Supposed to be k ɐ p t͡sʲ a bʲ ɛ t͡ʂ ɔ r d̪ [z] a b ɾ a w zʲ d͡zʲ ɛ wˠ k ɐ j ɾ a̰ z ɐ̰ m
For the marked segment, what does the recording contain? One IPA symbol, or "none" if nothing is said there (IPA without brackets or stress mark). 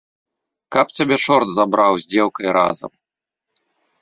z